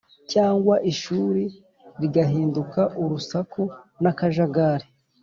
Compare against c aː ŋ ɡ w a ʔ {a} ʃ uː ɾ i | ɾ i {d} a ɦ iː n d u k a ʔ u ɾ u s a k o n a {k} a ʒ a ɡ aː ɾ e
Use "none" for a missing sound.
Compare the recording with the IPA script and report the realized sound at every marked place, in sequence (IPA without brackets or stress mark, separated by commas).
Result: i, ɡ, k